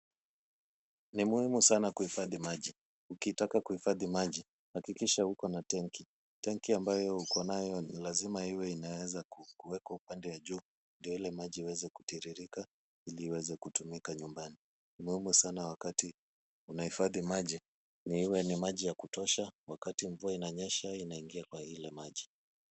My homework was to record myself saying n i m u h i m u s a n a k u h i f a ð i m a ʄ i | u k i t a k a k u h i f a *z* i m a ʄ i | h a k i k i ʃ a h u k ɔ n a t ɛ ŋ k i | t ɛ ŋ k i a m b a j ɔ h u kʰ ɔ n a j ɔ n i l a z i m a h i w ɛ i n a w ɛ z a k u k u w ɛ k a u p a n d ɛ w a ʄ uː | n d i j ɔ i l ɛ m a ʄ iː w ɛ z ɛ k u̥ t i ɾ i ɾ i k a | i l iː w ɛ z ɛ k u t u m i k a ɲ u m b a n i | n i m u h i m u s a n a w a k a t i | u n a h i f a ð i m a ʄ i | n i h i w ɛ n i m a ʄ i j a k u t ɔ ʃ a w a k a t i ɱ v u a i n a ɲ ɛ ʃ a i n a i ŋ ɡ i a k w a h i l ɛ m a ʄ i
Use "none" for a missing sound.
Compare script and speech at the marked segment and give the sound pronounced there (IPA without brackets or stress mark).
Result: ð